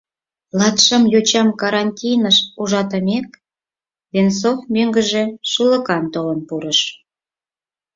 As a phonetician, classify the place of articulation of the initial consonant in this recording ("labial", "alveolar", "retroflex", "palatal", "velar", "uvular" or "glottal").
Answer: alveolar